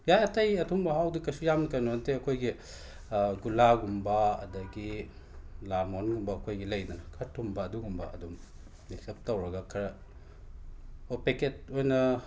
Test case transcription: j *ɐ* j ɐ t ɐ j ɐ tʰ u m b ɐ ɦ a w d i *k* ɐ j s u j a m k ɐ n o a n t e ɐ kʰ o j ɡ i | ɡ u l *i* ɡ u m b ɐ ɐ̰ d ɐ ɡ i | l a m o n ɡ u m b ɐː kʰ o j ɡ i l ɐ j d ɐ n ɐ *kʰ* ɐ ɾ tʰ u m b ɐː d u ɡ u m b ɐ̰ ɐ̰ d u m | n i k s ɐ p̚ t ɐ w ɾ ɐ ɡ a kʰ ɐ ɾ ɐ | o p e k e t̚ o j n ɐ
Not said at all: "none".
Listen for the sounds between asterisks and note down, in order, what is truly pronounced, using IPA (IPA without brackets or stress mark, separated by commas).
a, k, a, kʰ